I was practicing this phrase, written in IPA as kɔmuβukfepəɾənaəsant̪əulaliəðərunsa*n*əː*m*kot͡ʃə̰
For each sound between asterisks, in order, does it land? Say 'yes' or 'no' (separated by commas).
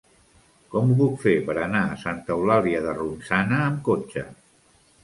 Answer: yes, yes